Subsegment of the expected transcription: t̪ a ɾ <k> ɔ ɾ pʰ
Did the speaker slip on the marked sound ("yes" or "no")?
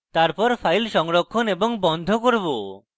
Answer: yes